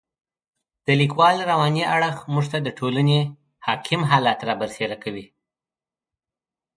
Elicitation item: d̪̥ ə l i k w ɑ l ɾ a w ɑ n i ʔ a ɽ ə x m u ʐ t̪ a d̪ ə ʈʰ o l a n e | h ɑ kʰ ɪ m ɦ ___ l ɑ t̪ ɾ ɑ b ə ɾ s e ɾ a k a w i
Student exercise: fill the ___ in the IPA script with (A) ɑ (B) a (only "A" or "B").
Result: A